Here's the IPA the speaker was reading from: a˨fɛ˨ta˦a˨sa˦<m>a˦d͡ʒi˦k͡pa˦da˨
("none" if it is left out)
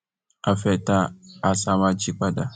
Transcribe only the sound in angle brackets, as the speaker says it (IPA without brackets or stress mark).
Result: m